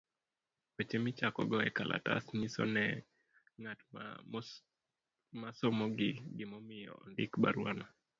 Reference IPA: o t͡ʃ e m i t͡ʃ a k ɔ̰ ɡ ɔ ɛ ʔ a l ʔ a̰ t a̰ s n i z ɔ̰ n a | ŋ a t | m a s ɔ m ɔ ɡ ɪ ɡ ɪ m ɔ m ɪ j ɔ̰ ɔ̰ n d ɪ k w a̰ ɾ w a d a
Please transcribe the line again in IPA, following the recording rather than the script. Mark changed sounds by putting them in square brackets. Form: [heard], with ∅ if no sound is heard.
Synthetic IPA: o t͡ʃ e m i t͡ʃ a k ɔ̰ ɡ ɔ ɛ [k] a l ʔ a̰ t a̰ s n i [s] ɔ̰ n [ɛ] | ŋ a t | m a s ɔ m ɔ ɡ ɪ ɡ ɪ m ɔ m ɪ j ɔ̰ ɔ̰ n d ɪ k [b] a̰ ɾ w a [n] a